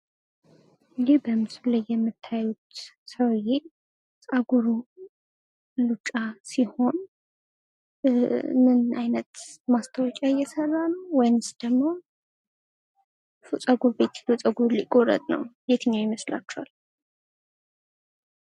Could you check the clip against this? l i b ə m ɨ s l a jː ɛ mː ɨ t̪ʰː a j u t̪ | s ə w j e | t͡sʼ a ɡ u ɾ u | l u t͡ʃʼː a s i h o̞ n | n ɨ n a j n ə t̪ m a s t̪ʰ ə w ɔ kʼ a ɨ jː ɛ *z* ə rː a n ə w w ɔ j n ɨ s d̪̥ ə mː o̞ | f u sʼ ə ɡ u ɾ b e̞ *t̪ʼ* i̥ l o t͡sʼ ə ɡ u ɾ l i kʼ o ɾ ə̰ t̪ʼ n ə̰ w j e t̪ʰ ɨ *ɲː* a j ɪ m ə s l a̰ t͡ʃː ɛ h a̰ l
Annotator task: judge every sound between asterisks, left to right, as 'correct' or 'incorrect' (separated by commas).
incorrect, incorrect, correct